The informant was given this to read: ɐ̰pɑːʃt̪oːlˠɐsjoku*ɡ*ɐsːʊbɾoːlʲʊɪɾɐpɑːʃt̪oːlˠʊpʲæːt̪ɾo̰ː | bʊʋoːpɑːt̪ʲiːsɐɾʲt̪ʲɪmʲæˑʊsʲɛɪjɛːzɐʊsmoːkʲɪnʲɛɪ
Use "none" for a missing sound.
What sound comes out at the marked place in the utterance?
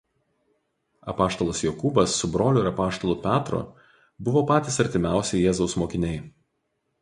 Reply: b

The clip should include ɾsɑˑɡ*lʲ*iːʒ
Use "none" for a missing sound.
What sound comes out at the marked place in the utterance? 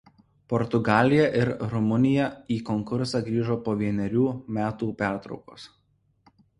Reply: ɾʲ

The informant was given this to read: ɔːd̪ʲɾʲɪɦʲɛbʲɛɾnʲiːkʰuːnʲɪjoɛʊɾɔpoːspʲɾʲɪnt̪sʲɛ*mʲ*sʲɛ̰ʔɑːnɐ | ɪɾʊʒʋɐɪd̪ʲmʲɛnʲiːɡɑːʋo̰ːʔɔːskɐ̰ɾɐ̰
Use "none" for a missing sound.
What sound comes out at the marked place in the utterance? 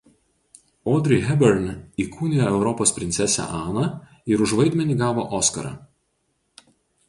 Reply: none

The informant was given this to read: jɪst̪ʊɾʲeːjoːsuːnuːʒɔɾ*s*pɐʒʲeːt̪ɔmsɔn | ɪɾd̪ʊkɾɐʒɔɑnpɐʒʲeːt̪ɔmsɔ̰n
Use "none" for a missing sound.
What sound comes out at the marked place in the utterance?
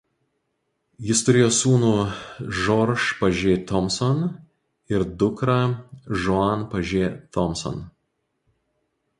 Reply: ʃ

